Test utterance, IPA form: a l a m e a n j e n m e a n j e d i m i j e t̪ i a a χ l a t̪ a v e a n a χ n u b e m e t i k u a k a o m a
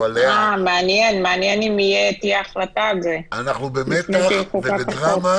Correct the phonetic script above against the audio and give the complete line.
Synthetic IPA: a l a m e a n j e n m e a n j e n i m i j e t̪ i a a χ l a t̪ a z e a n a χ n u b e m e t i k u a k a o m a